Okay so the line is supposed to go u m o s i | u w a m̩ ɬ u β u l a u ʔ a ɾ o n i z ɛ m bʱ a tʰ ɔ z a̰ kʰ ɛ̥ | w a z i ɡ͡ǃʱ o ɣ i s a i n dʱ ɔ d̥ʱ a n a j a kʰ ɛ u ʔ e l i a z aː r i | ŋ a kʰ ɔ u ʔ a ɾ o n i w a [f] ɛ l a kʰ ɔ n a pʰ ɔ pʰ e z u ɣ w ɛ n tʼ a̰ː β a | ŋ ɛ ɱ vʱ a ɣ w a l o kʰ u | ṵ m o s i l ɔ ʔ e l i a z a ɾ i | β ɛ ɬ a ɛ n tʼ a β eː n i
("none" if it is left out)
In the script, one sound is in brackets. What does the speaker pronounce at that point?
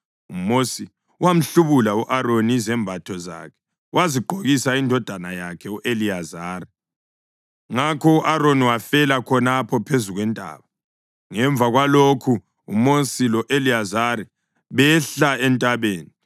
f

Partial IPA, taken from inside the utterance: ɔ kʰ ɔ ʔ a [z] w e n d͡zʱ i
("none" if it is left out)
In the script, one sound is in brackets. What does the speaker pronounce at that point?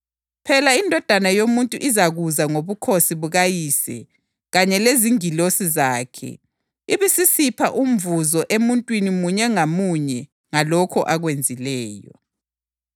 ɣ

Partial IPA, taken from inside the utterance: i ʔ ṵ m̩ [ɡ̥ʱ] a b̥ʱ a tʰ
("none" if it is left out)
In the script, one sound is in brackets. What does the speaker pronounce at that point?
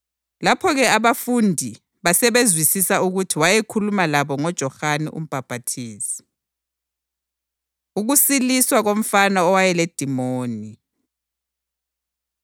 b̥ʱ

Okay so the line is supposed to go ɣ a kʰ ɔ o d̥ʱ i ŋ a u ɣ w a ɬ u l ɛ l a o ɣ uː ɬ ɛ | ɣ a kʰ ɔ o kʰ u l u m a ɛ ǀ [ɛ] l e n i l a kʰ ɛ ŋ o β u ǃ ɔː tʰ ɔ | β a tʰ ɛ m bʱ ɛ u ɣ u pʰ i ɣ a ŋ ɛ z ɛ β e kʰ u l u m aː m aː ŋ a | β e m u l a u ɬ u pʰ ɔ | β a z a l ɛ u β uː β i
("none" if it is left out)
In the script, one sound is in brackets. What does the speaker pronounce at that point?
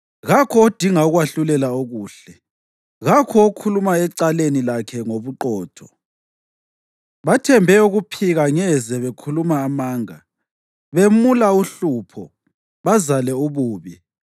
a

